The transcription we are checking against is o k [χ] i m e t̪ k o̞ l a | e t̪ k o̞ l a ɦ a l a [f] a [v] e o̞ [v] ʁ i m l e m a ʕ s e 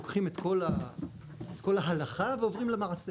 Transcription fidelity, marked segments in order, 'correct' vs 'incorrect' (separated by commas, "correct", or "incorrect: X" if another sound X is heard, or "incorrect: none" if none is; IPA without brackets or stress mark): correct, incorrect: χ, correct, correct